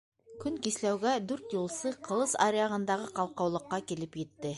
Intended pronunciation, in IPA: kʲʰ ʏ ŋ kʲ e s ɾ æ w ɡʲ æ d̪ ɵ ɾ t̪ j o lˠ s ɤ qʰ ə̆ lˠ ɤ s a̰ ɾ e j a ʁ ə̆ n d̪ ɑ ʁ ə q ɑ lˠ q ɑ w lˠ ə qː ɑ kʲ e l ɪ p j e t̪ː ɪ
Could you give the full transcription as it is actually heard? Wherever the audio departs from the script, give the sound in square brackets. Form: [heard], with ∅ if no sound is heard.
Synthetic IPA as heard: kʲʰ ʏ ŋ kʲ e s [l] æ w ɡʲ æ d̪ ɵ ɾ t̪ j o lˠ s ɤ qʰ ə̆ lˠ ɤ s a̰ ɾ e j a ʁ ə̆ n d̪ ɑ ʁ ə q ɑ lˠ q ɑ w lˠ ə qː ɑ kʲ e l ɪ p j e t̪ː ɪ